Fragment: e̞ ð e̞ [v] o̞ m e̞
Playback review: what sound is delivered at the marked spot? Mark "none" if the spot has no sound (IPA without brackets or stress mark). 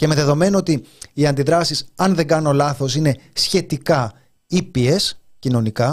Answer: ð